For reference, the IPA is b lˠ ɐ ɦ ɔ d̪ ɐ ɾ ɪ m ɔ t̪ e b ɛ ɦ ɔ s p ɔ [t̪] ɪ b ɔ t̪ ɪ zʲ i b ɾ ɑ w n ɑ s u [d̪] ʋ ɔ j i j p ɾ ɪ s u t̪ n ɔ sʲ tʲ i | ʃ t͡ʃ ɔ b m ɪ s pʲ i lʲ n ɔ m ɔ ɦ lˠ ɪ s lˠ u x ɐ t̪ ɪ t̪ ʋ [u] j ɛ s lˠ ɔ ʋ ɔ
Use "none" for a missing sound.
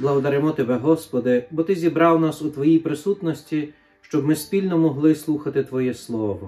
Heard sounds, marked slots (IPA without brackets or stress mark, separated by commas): d̪, t̪, ɔ